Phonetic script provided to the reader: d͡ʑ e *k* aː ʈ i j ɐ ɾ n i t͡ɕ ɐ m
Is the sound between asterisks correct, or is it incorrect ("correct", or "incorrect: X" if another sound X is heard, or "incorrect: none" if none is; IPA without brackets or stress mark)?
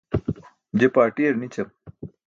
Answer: incorrect: p